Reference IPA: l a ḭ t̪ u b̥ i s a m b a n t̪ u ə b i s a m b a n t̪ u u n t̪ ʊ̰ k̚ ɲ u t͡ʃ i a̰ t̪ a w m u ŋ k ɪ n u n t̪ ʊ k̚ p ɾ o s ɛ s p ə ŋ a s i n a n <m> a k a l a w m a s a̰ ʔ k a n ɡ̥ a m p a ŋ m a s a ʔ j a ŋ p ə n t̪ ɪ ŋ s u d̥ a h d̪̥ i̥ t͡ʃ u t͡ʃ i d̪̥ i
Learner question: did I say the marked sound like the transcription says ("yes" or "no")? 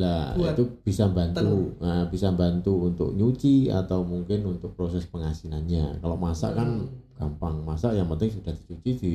no